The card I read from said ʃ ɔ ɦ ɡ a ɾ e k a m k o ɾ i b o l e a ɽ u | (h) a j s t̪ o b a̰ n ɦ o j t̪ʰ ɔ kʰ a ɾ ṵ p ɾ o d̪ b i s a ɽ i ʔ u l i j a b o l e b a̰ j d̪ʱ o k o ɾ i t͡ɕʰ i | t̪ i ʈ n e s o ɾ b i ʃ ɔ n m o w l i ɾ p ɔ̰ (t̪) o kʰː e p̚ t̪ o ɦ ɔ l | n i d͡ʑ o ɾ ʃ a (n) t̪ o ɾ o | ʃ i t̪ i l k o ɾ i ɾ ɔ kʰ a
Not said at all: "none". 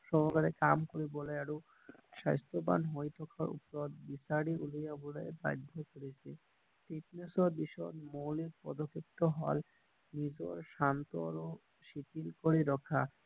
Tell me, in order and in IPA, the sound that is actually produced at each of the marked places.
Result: ʃ, d̪, n

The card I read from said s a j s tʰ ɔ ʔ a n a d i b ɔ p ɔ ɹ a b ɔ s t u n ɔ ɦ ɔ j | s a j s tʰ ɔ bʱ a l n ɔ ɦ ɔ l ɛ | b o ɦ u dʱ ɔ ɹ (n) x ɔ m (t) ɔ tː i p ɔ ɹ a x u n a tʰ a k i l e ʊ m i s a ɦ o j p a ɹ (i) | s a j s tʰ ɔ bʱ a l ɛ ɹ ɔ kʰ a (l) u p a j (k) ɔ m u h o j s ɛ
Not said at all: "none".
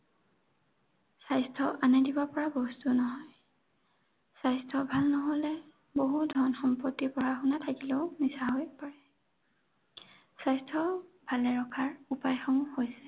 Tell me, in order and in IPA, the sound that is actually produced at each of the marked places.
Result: n, p, ɛ, ɹ, x

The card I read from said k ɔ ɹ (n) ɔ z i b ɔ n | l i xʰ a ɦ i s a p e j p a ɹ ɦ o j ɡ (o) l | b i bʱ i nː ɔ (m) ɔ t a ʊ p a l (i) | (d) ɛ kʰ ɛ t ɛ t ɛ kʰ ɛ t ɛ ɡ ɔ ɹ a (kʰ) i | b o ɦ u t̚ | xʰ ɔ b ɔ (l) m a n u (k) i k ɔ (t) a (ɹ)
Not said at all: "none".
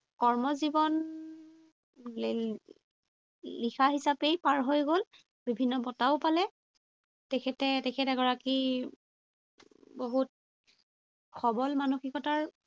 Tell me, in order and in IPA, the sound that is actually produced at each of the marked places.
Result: m, o, b, ɛ, t, k, l, x, t, ɹ

